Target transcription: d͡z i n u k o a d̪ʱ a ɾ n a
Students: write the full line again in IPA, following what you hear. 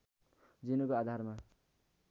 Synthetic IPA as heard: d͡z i n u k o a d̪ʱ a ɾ m a